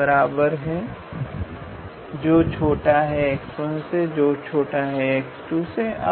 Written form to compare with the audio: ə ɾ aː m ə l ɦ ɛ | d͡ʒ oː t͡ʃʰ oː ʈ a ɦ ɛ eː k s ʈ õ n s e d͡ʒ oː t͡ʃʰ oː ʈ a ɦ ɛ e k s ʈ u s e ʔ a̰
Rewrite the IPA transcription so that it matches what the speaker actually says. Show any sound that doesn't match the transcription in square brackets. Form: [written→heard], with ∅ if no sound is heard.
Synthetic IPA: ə ɾ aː [m→b] ə [l→ɾ] ɦ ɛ | d͡ʒ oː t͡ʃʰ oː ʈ a ɦ ɛ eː k s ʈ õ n s e d͡ʒ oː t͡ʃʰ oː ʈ a ɦ ɛ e k s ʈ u s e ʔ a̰

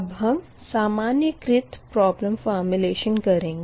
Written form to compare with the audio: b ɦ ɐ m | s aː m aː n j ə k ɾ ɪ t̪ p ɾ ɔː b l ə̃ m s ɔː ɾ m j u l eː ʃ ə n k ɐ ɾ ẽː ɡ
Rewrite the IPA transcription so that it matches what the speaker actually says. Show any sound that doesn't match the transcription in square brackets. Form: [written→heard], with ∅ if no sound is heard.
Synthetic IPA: b ɦ ɐ m | s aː m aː n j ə k ɾ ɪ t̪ p ɾ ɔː b l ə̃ m [s→f] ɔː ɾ m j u l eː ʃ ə n k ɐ ɾ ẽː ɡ

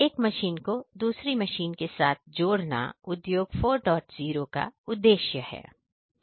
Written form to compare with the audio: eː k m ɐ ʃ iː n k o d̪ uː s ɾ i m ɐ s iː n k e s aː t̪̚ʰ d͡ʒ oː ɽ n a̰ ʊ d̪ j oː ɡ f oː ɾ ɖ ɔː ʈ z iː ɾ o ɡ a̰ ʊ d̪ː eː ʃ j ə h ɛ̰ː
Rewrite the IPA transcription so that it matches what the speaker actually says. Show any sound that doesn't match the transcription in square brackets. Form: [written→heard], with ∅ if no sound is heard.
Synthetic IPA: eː k m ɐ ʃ iː n k o d̪ uː s ɾ i m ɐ [s→ʃ] iː n k e s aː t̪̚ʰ d͡ʒ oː ɽ n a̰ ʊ d̪ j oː ɡ f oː ɾ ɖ ɔː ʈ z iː ɾ o [ɡ→k] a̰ ʊ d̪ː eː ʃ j ə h ɛ̰ː

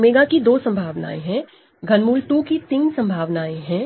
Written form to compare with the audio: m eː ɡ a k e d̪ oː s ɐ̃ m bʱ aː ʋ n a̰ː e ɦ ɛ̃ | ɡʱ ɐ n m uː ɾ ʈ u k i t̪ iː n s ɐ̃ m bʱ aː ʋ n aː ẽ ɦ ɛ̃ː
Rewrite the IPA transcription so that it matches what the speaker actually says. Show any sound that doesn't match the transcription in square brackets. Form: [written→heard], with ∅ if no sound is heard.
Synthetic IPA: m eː ɡ a k [e→i] d̪ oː s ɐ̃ m bʱ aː ʋ n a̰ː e ɦ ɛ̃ | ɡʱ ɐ n m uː [ɾ→l] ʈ u k i t̪ iː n s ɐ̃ m bʱ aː ʋ n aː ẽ ɦ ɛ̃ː

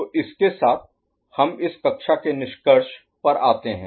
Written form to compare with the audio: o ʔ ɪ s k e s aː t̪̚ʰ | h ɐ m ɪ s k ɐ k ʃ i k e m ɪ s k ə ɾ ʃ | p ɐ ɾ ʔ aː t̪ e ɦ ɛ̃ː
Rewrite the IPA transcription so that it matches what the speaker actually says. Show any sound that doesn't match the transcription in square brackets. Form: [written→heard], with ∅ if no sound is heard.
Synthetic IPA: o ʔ ɪ s k e s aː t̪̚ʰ | h ɐ m ɪ s k ɐ k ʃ [i→a] k e [m→n] ɪ [s→ʃ] k ə ɾ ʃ | p ɐ ɾ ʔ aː t̪ e ɦ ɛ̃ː

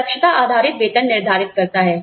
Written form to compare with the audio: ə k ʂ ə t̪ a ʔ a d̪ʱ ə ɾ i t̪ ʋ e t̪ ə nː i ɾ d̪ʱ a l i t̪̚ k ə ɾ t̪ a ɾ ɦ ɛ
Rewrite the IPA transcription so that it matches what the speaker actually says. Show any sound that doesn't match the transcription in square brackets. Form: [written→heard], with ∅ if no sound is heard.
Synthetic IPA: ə k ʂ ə t̪ a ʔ a d̪ʱ [ə→a] ɾ i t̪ ʋ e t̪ ə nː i ɾ d̪ʱ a [l→ɾ] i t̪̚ k ə ɾ t̪ a [ɾ→∅] ɦ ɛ

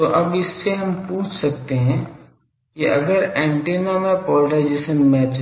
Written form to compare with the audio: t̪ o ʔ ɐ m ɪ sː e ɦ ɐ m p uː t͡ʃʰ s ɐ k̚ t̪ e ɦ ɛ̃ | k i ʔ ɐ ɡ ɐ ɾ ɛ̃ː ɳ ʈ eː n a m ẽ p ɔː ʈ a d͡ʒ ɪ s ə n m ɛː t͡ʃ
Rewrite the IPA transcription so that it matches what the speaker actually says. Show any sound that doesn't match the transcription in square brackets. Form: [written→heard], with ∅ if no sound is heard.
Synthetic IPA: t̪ o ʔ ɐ [m→b] ɪ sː e ɦ ɐ m p uː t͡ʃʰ s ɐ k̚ t̪ e ɦ ɛ̃ | k i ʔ ɐ ɡ [ɐ→ə] ɾ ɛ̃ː ɳ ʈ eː n a m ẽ p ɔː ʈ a d͡ʒ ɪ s ə n m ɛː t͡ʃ

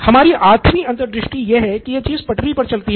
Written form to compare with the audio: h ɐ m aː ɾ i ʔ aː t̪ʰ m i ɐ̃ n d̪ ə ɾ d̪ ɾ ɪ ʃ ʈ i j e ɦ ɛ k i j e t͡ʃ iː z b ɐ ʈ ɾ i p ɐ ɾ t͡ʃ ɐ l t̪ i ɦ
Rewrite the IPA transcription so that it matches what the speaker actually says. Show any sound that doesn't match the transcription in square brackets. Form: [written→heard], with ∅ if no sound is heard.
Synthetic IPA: h ɐ m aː ɾ i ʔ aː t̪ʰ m i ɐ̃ n [d̪→t̪] ə ɾ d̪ ɾ ɪ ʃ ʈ i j e ɦ ɛ k i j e t͡ʃ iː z [b→p] ɐ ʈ ɾ i p ɐ ɾ t͡ʃ ɐ l t̪ i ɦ

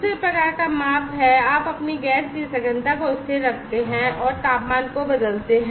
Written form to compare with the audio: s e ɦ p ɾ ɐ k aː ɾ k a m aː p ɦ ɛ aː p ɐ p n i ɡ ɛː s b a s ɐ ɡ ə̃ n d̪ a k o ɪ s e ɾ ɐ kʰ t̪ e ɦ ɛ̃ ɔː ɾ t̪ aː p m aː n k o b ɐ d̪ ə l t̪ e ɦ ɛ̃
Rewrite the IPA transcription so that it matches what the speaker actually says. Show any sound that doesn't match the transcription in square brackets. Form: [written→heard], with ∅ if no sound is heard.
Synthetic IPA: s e [ɦ→∅] p ɾ ɐ k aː ɾ k a m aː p ɦ ɛ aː p ɐ p n i ɡ ɛː s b [a→i] s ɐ ɡ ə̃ n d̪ a k o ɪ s e ɾ ɐ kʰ t̪ e ɦ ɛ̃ ɔː ɾ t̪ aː p m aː n k o b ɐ d̪ ə l t̪ e ɦ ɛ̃

